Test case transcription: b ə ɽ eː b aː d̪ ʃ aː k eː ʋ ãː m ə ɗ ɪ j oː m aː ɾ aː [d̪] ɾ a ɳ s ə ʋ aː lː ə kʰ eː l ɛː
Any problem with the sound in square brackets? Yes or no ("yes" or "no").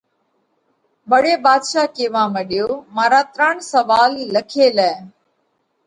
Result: yes